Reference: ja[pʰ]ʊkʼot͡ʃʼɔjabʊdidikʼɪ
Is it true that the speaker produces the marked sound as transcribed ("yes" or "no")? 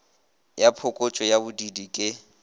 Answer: yes